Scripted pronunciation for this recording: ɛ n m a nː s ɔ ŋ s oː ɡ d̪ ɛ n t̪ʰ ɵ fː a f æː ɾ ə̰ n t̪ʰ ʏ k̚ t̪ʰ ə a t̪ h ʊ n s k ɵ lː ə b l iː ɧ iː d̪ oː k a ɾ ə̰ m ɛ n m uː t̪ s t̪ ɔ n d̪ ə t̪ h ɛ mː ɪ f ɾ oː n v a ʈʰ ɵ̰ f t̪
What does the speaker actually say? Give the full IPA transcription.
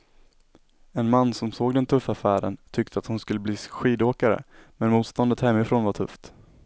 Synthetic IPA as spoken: ɛ n m a nː s ɔ m s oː ɡ d̪ ɛ n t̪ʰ ɵ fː a f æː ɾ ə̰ n t̪ʰ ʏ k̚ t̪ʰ ə a t̪ h ʊ n s k ɵ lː ə b l iː ɧ iː d̪ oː k a ɾ ə̰ m ɛ n m uː t̪ s t̪ ɔ n d̪ ə t̪ h ɛ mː ɪ f ɾ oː n v a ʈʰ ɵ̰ f t̪